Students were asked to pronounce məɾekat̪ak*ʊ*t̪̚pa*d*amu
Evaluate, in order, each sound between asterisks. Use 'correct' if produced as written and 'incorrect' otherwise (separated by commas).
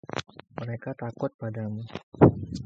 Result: correct, correct